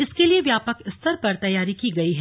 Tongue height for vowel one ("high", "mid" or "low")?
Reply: high